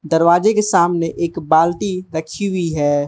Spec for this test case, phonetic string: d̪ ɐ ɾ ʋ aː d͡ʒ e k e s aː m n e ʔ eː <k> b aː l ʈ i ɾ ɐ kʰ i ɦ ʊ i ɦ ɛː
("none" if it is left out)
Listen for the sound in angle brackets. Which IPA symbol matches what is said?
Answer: k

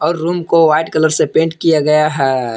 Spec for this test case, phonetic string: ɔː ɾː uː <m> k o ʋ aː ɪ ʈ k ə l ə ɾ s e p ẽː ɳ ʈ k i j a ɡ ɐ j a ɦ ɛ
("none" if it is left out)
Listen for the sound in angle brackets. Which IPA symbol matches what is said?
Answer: m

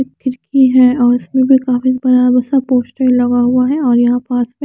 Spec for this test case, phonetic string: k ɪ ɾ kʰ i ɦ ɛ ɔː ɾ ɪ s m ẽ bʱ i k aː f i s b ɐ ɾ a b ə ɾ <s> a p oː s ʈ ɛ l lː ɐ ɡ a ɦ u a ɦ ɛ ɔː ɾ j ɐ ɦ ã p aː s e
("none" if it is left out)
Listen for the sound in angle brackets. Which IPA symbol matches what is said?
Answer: s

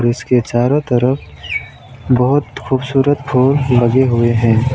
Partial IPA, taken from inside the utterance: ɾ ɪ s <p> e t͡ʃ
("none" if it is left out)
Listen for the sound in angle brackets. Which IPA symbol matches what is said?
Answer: k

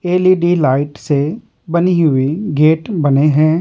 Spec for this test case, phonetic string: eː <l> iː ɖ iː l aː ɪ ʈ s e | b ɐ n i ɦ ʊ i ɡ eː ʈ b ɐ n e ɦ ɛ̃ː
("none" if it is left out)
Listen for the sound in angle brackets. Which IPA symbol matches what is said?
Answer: l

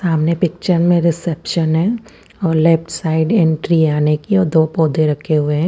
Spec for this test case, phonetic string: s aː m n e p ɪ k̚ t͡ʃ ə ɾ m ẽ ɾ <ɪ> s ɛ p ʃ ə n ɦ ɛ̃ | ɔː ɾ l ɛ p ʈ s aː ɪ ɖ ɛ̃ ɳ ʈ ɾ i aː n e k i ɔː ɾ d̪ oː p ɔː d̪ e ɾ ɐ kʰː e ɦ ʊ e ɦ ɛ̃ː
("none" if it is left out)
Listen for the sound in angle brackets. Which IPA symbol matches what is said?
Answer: ɪ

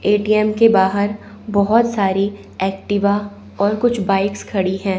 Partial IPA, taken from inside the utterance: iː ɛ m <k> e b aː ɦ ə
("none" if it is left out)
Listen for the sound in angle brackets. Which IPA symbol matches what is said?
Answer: k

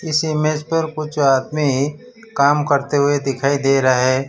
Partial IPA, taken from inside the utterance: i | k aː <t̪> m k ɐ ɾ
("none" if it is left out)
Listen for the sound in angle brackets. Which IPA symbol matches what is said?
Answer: none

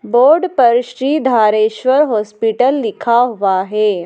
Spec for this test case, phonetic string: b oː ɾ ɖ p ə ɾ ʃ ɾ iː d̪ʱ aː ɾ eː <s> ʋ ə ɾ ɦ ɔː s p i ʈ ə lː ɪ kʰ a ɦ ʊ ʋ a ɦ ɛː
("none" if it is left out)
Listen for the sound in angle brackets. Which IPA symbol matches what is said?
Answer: ʃ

